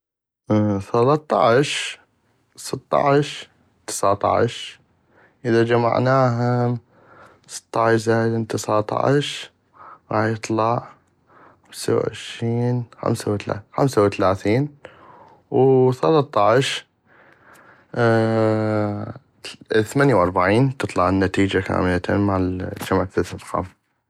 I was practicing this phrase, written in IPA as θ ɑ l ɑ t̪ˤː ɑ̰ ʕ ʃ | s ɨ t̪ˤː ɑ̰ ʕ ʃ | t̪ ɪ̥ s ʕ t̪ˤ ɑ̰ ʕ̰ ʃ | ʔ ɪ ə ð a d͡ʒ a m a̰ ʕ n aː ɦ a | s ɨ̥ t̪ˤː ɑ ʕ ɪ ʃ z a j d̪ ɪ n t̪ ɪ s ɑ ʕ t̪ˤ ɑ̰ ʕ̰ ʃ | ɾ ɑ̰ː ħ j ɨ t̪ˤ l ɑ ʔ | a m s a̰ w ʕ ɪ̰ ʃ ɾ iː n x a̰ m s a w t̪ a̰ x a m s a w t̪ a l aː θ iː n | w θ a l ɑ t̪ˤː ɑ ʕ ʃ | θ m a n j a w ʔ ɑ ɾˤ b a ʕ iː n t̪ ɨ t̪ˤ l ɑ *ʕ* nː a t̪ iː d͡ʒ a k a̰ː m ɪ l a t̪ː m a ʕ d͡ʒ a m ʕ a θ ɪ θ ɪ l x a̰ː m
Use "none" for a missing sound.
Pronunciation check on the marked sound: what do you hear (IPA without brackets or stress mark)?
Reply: ʕ